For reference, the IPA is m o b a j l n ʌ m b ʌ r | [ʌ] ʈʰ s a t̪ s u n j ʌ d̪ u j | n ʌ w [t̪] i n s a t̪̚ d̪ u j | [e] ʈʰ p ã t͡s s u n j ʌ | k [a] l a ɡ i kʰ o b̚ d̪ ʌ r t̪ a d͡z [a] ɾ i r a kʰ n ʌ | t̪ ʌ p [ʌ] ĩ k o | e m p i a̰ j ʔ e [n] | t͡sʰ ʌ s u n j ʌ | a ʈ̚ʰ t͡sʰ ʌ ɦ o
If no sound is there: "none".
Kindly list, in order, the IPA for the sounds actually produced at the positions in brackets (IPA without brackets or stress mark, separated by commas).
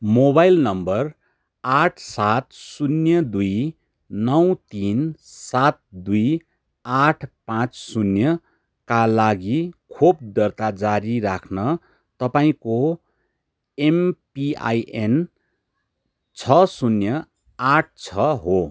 a, t̪, a, a, a, a, n